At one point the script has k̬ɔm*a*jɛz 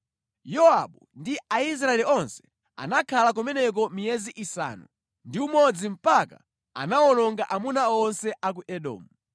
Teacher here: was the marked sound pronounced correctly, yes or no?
no